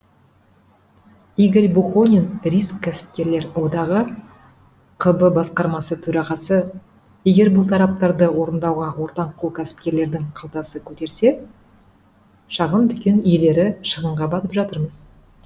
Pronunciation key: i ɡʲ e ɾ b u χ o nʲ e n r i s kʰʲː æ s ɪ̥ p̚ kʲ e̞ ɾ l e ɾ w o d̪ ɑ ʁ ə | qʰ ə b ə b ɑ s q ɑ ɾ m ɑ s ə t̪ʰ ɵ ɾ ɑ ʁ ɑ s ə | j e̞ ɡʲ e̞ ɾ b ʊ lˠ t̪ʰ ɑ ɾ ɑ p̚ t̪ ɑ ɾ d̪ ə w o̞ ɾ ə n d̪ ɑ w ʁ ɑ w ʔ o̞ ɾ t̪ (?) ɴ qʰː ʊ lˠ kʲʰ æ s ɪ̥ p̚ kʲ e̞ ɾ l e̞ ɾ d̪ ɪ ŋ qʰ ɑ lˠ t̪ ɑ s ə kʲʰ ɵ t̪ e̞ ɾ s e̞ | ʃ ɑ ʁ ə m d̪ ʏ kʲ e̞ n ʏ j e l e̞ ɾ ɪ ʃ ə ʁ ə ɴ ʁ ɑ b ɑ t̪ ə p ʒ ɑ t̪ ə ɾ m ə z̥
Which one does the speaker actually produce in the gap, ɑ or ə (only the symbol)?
ɑ